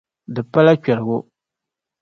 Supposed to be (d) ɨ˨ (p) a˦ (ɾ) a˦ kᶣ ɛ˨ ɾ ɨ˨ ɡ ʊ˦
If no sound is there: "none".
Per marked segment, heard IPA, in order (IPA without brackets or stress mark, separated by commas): d, p, l